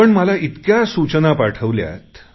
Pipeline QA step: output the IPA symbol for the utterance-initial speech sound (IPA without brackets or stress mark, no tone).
ə